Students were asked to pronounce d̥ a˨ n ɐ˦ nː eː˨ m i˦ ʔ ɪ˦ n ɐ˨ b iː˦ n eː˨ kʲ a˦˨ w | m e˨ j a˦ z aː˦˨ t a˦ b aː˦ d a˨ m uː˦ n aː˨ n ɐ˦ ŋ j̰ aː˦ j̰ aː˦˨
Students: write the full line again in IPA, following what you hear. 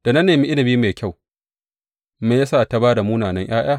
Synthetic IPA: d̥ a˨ n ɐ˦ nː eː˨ m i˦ ʔ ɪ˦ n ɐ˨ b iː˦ m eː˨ kʲ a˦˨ w | m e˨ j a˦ s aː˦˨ t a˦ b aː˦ d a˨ m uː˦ n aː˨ n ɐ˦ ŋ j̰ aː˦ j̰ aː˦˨